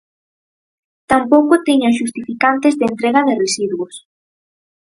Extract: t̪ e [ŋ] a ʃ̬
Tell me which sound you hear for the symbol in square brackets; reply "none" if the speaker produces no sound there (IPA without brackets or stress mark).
ɲ